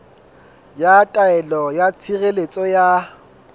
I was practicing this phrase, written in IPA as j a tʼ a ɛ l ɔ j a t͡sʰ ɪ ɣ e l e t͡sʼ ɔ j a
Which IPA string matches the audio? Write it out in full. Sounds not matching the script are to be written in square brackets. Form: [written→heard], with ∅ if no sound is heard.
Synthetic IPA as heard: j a tʼ a ɛ l ɔ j a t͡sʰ [ɪ→i] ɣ e l e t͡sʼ ɔ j a